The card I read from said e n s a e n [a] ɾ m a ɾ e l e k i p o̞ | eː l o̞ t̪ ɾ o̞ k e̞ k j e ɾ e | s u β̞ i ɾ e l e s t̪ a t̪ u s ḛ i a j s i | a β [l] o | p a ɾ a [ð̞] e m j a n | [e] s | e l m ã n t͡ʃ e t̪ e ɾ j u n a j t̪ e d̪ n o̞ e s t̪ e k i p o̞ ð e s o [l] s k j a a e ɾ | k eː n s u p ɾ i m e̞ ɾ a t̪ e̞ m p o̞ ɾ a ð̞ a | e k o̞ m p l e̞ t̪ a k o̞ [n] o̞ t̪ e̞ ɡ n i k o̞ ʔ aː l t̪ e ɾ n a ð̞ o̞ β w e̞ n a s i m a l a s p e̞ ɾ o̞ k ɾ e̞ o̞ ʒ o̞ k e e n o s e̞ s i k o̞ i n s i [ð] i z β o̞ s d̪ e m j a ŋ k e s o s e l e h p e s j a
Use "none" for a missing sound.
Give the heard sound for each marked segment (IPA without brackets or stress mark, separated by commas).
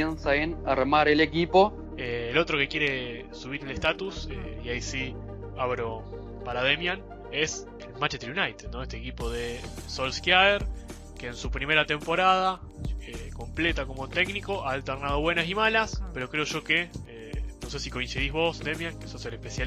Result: a, ɾ, ð̞, e, l, m, ð